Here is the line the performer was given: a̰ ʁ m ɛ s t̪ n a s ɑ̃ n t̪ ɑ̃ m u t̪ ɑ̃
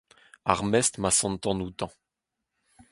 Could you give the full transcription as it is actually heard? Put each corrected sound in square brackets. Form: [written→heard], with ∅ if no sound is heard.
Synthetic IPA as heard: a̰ ʁ m ɛ s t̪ [n→m] a s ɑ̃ n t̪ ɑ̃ [m→n] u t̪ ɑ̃